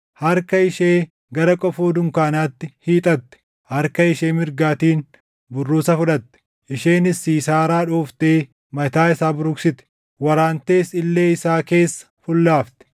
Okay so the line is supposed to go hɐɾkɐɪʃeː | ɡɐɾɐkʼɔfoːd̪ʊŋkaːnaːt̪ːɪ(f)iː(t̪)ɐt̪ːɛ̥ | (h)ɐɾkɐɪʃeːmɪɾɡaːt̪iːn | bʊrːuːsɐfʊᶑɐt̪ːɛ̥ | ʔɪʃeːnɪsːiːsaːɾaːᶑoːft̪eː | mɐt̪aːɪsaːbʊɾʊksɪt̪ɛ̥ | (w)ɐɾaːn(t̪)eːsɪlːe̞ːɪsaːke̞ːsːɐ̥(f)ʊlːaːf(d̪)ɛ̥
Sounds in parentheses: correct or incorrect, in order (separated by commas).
incorrect, incorrect, correct, correct, correct, correct, incorrect